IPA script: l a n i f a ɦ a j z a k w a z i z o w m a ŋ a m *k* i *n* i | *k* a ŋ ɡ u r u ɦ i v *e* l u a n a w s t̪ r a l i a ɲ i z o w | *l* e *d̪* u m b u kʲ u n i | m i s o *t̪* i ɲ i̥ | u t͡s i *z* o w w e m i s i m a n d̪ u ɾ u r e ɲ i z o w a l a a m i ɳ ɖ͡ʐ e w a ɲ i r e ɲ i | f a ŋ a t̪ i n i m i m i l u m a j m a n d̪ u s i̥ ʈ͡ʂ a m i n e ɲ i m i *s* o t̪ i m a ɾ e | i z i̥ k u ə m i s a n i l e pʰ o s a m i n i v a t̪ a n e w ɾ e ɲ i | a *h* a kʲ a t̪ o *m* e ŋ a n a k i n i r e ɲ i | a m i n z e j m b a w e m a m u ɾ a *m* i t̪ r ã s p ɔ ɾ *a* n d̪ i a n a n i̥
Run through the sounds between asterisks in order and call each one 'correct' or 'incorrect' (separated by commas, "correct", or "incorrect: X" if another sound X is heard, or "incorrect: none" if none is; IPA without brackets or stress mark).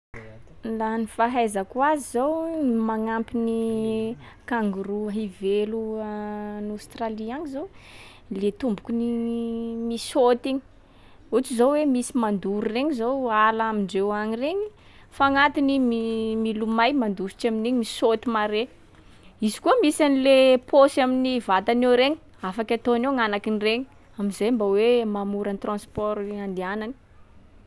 incorrect: p, correct, correct, correct, correct, incorrect: t̪, correct, correct, correct, incorrect: f, incorrect: n, incorrect: n, correct